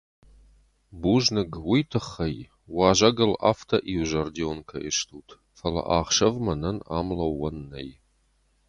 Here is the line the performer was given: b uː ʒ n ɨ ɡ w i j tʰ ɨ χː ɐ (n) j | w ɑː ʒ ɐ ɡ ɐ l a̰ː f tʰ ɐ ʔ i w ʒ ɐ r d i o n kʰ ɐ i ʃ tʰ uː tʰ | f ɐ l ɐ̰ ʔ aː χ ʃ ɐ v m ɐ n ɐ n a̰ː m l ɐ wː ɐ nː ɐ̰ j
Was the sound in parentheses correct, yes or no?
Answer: no